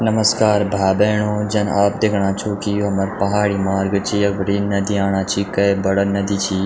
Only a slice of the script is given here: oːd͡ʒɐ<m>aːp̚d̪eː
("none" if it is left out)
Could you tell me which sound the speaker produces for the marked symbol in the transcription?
n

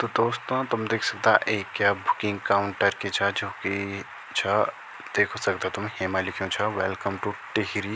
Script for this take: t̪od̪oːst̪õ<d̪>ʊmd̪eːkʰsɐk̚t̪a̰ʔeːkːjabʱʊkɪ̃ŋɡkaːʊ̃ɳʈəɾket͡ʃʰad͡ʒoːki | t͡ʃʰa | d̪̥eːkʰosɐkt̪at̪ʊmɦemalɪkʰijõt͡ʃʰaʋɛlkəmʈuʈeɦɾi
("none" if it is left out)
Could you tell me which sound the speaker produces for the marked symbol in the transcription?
t̪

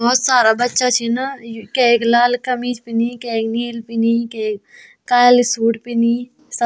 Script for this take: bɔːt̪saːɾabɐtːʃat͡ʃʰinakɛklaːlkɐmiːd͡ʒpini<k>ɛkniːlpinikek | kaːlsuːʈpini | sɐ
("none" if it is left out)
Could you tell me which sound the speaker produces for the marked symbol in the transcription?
k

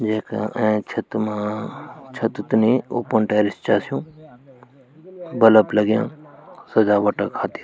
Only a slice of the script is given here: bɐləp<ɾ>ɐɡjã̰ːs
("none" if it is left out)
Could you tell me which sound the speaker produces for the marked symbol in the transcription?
l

